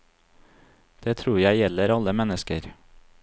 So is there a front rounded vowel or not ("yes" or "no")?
no